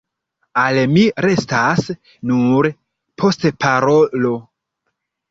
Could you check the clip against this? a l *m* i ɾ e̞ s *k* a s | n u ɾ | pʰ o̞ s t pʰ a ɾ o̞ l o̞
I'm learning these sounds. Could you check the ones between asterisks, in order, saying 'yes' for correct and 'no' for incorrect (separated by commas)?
yes, no